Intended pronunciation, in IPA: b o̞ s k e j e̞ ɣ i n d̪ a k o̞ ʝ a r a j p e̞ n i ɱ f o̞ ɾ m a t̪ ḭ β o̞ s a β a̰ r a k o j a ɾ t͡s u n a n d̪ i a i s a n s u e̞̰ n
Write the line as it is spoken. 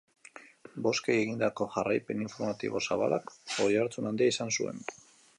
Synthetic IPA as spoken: b o̞ s k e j e̞ ɣ i n d̪ a k o̞ ʝ a r a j p e̞ n i ɱ f o̞ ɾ m a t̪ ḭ β o̞ s a β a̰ l a k o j a ɾ t͡s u n a n d̪ i a i s a n s u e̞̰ n